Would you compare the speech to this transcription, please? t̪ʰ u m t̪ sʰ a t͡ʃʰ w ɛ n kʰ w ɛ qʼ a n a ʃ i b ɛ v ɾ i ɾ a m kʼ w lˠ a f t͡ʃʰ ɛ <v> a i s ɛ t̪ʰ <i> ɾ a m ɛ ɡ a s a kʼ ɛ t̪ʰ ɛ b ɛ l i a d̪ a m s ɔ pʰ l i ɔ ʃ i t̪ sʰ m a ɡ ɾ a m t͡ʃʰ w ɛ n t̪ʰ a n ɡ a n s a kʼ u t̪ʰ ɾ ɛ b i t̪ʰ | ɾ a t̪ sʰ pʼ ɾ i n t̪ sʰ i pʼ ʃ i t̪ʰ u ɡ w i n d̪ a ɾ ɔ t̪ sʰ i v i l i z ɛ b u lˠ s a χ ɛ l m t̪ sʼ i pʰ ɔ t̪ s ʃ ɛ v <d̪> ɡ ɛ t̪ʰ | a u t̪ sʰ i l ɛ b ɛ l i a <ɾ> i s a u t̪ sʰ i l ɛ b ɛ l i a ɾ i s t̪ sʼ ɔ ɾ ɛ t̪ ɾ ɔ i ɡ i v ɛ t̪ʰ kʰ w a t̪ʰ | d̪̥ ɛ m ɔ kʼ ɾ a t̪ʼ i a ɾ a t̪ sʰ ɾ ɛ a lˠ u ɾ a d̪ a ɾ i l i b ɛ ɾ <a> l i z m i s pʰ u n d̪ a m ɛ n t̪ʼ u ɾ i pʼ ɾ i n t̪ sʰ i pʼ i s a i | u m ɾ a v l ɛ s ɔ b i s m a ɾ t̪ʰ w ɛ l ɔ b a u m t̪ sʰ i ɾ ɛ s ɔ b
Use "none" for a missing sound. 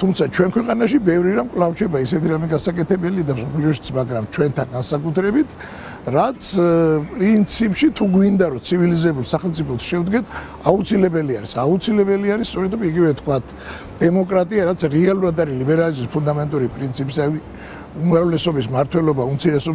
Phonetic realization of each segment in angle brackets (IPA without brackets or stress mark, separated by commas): b, i, d̪, ɾ, a